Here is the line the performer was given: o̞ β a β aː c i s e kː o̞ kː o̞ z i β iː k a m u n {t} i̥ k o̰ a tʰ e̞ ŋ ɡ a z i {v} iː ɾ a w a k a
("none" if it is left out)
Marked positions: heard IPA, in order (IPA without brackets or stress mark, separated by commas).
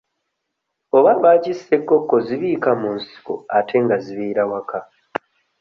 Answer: s, β